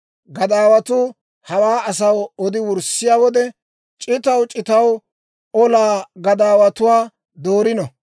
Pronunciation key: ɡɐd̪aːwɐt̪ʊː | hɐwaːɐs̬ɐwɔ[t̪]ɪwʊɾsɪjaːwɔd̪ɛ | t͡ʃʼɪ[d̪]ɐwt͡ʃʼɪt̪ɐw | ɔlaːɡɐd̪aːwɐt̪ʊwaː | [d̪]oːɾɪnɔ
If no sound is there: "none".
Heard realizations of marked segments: d̪, t̪, d̪

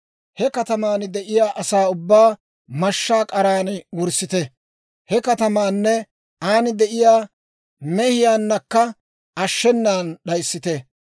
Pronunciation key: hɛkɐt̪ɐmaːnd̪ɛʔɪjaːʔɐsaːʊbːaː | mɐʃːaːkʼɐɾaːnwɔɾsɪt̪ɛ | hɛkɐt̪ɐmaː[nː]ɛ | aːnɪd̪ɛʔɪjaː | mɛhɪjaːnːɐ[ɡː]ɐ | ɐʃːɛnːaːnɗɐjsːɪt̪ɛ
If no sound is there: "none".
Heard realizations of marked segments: nː, kː

